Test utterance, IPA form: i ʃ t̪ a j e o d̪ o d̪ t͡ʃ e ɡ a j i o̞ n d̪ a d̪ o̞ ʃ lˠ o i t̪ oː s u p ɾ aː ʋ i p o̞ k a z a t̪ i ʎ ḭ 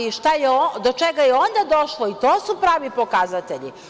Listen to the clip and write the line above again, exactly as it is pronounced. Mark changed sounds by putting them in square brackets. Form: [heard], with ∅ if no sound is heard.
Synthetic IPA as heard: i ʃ t̪ a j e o d̪ o [∅] t͡ʃ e ɡ a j [e] o̞ n d̪ a d̪ o̞ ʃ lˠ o i t̪ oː s u p ɾ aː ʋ i p o̞ k a z a t̪ [e] ʎ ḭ

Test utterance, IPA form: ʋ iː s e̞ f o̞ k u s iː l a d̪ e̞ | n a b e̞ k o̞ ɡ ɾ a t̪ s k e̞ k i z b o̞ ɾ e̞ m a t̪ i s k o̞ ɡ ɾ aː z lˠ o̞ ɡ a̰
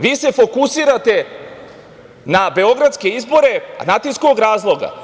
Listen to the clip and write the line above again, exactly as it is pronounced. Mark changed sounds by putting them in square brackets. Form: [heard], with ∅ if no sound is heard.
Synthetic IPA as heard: ʋ iː s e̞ f o̞ k u s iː [ɾ] a [t̪] e̞ | n a b e̞ [∅] o̞ ɡ ɾ a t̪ s k e̞ [∅] i z b o̞ ɾ e̞ [n] a t̪ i s k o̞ ɡ ɾ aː z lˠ o̞ ɡ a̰

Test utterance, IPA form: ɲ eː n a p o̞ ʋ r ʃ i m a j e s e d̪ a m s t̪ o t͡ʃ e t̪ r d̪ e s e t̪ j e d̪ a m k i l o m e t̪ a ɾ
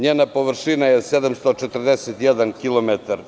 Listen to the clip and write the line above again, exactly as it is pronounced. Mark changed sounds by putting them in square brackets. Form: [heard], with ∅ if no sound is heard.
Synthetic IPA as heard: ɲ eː n a p o̞ ʋ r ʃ i [n] a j e s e d̪ a m s t̪ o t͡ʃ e t̪ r d̪ e s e t̪ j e d̪ a [n] k i l o m e t̪ a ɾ

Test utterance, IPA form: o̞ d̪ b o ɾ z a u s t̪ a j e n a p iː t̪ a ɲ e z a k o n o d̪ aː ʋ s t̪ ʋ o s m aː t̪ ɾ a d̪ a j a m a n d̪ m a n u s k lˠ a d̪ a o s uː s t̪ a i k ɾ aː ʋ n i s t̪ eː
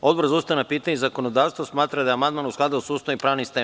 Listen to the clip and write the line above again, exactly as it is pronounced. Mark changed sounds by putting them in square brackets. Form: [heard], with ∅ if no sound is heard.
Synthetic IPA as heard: o̞ d̪ b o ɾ z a u s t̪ a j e n a p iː t̪ a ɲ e z a k o n o d̪ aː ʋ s t̪ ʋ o s m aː t̪ ɾ a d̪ a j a m a n d̪ m a n u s k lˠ a d̪ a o s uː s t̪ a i [p] ɾ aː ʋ n i s t̪ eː

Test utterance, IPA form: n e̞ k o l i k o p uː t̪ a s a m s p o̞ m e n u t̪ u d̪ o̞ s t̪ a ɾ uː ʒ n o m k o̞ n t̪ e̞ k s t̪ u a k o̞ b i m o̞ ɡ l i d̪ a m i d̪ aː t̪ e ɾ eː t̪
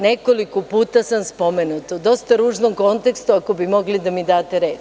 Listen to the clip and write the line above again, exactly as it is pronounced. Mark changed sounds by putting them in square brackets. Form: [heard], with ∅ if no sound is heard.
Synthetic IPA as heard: n e̞ k o l i k o p uː t̪ a s a m s p o̞ m e n u t̪ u d̪ o̞ s t̪ a ɾ uː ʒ n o m k o̞ n t̪ e̞ k s t̪ u a k o̞ b i m o̞ ɡ l i d̪ a m i d̪ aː t̪ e ɾ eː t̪

